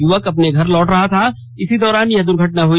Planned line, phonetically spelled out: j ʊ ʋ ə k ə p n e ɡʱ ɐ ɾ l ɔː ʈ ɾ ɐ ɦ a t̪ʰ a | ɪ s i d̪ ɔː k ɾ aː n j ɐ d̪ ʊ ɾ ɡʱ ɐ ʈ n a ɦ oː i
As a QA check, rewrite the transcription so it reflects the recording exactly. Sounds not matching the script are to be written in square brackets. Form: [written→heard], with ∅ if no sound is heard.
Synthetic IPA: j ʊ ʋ ə k [ə→ɐ] p n e ɡʱ ɐ ɾ l ɔː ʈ ɾ ɐ ɦ a t̪ʰ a | ɪ s i d̪ ɔː [k→∅] ɾ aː n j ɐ d̪ ʊ ɾ ɡʱ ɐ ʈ n a ɦ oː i

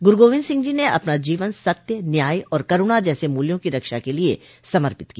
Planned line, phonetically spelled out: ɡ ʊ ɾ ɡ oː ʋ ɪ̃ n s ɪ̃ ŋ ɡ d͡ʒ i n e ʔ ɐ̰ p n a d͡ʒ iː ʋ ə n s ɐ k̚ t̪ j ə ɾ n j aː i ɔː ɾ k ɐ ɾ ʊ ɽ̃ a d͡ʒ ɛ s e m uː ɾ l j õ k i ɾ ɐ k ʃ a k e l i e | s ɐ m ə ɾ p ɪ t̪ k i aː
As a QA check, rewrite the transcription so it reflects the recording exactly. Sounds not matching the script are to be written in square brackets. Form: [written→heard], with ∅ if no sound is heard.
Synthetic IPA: ɡ ʊ ɾ ɡ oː ʋ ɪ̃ n s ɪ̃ ŋ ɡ d͡ʒ i n e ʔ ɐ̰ p n a d͡ʒ iː ʋ ə n s ɐ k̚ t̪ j ə [ɾ→∅] n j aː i ɔː ɾ k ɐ ɾ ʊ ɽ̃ a d͡ʒ [ɛ→ɛː] s e m uː [ɾ→∅] l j õ k i ɾ ɐ k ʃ a k e l i e | s ɐ m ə ɾ p ɪ t̪ k i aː

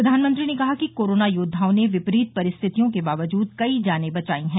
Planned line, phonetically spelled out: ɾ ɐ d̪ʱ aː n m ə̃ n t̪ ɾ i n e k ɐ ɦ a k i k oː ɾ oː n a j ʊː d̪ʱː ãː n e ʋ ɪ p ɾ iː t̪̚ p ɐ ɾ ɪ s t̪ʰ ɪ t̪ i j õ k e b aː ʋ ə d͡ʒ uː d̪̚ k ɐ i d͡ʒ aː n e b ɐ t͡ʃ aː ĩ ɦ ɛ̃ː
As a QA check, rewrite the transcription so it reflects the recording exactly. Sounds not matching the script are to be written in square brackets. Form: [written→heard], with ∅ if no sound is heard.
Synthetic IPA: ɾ ɐ d̪ʱ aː n m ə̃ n t̪ ɾ i n e k ɐ ɦ a k i k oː ɾ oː n a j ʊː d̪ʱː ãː n e ʋ ɪ p ɾ iː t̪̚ p ɐ ɾ ɪ s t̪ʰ ɪ t̪ i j õ k e b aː ʋ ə d͡ʒ uː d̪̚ k ɐ i d͡ʒ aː n e b ɐ t͡ʃ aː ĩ ɦ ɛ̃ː

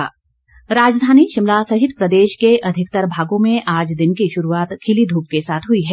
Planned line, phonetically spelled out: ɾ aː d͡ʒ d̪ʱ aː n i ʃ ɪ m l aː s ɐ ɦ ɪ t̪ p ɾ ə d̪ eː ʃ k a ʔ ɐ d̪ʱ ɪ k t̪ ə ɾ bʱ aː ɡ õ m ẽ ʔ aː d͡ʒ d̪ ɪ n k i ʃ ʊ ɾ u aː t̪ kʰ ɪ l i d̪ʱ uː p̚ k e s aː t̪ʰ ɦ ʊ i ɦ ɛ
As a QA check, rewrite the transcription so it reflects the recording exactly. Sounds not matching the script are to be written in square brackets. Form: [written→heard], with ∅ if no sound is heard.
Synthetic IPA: ɾ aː d͡ʒ d̪ʱ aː n i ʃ ɪ m l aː s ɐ ɦ ɪ t̪ p ɾ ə d̪ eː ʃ k [a→e] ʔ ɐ d̪ʱ ɪ k t̪ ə ɾ bʱ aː ɡ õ m ẽ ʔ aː d͡ʒ d̪ ɪ n k i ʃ ʊ ɾ u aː t̪ kʰ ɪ l i d̪ʱ uː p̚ k e s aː t̪ʰ ɦ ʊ i ɦ ɛ

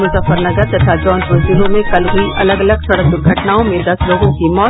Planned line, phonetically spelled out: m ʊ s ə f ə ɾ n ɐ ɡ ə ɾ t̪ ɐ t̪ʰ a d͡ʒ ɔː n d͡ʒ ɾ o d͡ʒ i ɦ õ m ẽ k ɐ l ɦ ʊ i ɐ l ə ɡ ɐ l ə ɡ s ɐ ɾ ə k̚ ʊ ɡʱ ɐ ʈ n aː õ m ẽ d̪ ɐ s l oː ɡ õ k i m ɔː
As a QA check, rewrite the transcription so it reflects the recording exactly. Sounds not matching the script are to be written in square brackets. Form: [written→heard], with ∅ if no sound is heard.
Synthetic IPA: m ʊ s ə f ə ɾ n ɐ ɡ ə ɾ t̪ ɐ t̪ʰ a d͡ʒ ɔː n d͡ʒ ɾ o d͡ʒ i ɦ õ m ẽ k ɐ l ɦ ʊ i ɐ l ə ɡ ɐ l ə ɡ s ɐ [ɾ→ɽ] ə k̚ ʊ ɡʱ ɐ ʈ n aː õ m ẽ d̪ ɐ s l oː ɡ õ k i m ɔː

